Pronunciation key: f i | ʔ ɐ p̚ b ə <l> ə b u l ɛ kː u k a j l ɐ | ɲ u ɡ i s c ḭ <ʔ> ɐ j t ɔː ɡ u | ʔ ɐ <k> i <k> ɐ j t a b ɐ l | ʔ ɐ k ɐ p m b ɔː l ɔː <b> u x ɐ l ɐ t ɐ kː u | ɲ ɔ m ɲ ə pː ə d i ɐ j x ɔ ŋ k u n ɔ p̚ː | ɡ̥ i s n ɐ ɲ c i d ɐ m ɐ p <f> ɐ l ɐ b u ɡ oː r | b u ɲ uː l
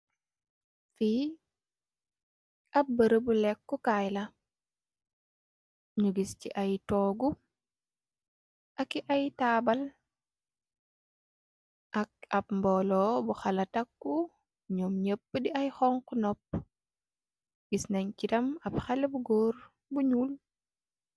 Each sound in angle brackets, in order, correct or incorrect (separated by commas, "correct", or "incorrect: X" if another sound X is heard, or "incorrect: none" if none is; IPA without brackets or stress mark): incorrect: ɾ, correct, correct, incorrect: ʔ, correct, incorrect: x